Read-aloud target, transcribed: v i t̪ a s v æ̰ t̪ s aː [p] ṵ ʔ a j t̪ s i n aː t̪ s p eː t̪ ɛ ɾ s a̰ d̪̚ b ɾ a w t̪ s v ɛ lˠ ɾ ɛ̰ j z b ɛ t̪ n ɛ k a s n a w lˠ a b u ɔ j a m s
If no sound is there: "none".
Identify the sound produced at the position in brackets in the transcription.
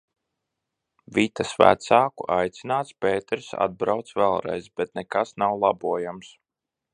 k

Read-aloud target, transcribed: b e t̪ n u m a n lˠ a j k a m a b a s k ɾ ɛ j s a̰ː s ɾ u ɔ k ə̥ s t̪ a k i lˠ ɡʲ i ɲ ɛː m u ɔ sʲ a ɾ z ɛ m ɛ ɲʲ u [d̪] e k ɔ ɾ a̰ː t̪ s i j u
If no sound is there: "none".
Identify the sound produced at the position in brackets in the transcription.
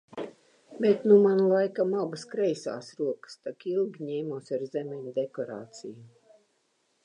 d̪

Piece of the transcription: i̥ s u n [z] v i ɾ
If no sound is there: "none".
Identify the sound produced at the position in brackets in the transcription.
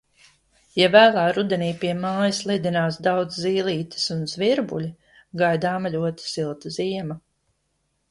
z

